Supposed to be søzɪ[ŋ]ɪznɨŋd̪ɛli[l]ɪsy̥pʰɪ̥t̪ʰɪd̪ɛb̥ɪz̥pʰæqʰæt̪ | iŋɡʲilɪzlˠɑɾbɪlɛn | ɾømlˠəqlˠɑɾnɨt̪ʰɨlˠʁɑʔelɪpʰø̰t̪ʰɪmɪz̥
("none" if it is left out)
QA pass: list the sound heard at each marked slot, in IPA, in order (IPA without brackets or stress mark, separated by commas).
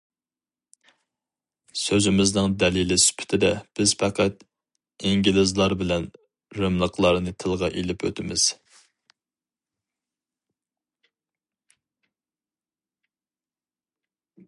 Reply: m, l